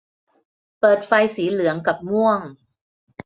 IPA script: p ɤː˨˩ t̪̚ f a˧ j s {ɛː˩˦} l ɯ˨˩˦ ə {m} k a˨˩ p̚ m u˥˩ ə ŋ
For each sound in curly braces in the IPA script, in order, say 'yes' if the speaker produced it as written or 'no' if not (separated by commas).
no, no